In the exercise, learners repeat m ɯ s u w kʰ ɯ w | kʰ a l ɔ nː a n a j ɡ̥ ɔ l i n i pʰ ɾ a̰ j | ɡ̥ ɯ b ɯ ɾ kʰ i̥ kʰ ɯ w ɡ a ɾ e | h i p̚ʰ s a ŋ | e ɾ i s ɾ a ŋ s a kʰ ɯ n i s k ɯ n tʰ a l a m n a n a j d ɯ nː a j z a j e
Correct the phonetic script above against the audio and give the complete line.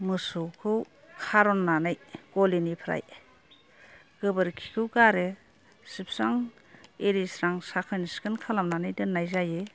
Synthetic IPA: m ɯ s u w kʰ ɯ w | kʰ a ɾ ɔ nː a n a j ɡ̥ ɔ l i n i pʰ ɾ a̰ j | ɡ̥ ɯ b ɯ ɾ kʰ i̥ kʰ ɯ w ɡ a ɾ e | s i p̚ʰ s a ŋ | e ɾ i s ɾ a ŋ s a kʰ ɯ n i s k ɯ n kʰ a l a m n a n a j d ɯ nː a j z a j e